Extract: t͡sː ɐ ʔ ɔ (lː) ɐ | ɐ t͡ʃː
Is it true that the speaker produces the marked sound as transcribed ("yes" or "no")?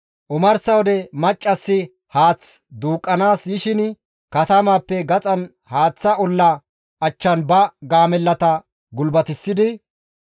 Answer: yes